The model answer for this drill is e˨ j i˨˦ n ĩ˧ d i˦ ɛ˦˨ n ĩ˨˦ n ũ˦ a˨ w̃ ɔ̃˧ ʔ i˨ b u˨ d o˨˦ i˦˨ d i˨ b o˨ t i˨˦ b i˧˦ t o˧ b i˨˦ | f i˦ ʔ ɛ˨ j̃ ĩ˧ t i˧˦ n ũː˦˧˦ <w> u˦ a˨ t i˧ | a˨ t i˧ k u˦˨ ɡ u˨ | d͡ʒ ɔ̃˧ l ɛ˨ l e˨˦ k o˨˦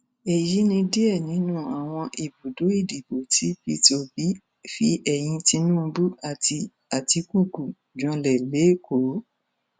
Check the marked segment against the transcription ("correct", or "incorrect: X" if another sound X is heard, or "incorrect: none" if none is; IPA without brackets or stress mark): incorrect: b